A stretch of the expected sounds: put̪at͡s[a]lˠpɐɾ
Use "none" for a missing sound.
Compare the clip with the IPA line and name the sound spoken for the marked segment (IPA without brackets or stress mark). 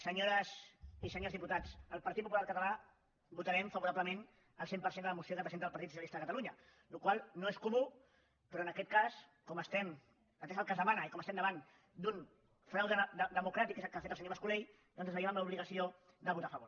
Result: ə